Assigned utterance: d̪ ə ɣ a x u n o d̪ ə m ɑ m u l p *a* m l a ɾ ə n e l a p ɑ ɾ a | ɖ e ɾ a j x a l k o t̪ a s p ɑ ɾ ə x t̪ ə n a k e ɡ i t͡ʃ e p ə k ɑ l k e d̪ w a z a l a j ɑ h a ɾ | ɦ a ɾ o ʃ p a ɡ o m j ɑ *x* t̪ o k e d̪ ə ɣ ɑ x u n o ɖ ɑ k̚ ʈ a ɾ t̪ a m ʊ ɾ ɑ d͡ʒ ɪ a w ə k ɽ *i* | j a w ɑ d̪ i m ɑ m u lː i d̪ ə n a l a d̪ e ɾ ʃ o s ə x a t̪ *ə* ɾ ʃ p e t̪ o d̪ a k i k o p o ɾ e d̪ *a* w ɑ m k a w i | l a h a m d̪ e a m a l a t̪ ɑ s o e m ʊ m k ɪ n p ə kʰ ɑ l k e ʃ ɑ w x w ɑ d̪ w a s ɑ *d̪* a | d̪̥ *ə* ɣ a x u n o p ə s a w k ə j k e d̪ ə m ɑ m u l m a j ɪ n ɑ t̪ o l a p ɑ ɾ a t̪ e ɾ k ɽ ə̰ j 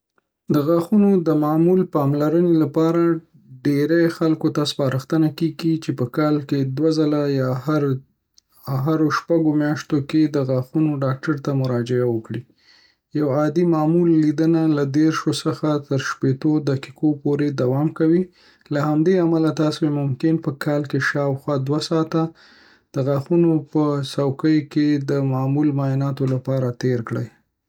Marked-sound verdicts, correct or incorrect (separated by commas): incorrect, incorrect, correct, correct, correct, incorrect, correct